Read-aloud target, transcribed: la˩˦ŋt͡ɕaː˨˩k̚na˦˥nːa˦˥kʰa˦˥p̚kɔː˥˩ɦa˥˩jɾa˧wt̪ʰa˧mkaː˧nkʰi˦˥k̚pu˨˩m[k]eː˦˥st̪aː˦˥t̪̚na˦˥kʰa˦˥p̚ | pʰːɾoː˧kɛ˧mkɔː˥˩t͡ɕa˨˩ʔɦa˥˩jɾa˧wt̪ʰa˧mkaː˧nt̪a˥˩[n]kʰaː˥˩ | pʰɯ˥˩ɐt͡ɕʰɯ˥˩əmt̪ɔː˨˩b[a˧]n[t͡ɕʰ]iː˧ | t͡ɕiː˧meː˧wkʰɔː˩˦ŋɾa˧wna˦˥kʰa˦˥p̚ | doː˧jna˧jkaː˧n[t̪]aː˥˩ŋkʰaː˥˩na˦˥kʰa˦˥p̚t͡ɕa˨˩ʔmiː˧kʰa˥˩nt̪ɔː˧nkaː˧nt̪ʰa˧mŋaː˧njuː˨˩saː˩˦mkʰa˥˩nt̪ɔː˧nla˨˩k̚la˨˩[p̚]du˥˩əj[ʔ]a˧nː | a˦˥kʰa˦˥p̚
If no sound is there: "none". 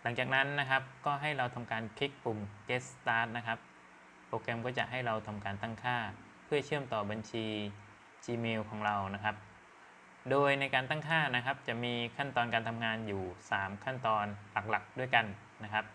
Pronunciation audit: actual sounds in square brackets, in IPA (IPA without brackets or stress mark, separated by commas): k, ŋ, a˧, t͡ɕʰ, t̪, k̚, k